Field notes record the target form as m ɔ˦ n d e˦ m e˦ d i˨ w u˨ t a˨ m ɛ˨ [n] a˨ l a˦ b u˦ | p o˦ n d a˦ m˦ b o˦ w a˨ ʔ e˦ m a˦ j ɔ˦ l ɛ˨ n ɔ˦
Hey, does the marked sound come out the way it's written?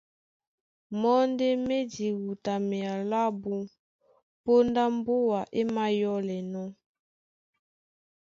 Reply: no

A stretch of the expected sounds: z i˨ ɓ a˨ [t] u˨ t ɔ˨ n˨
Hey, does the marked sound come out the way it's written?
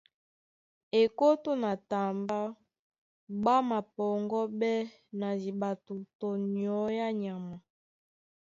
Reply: yes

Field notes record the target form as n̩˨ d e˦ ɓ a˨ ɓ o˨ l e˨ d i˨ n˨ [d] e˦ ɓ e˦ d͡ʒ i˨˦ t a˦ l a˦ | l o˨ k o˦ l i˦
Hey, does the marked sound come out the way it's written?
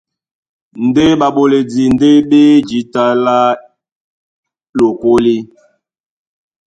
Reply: yes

